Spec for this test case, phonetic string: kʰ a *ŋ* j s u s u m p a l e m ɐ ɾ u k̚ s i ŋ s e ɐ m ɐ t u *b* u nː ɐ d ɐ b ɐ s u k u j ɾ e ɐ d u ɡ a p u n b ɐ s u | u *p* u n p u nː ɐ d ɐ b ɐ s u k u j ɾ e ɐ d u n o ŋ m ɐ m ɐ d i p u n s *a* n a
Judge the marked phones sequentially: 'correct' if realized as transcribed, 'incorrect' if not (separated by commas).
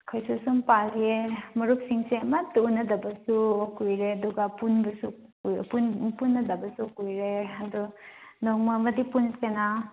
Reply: incorrect, incorrect, correct, incorrect